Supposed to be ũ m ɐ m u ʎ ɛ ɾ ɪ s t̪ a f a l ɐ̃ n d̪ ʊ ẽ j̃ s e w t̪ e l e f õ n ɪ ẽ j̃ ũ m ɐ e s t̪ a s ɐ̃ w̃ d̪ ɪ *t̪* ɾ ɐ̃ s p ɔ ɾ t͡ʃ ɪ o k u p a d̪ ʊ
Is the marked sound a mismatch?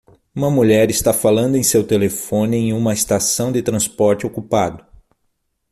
no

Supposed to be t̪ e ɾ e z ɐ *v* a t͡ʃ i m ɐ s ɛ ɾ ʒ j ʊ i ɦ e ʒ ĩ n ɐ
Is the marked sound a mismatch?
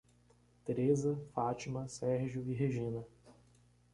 yes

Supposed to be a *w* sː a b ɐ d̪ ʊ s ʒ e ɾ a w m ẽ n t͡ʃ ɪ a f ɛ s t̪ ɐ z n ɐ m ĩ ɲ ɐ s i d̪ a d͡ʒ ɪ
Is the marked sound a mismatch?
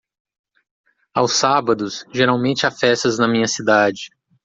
no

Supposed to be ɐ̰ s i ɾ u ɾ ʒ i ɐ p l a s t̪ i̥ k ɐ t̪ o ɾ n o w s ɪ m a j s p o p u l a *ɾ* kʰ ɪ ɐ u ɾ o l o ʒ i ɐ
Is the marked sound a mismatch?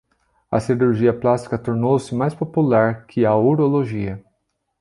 no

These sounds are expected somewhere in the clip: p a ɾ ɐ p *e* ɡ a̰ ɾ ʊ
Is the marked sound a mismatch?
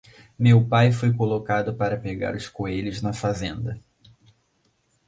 no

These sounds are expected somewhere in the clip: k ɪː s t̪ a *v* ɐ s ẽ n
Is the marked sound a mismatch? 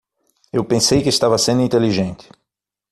no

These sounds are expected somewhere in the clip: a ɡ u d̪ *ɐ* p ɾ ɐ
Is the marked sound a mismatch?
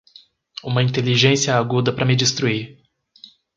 no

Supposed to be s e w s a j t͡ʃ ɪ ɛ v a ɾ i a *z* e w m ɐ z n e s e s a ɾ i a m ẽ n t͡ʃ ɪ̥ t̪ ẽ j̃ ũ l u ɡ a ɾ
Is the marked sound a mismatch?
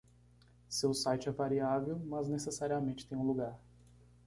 yes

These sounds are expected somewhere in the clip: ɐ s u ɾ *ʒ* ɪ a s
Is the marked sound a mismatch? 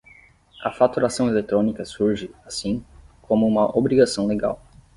no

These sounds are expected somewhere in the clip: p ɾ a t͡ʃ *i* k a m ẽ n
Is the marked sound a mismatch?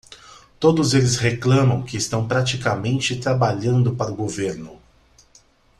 no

